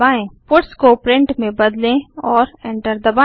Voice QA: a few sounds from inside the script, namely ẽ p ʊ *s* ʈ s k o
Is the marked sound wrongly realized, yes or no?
yes